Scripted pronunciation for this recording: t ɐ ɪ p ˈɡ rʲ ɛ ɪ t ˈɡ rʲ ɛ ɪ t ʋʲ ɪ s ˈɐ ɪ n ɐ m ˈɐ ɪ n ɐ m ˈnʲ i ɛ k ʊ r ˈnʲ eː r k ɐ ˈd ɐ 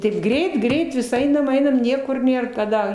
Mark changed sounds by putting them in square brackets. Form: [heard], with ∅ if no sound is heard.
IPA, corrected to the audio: t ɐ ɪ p ˈɡ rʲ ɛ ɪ t ˈɡ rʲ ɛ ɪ t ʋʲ ɪ s ˈɐ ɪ n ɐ m ˈɐ ɪ n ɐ m ˈnʲ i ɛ k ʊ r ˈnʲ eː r k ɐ ˈd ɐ